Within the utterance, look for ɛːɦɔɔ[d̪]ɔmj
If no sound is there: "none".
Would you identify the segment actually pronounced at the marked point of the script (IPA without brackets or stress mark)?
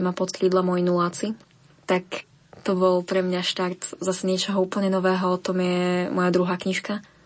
t̪